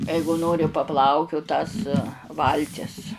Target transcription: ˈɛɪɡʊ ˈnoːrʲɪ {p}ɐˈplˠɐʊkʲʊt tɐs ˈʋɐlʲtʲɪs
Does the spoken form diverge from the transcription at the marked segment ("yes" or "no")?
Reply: no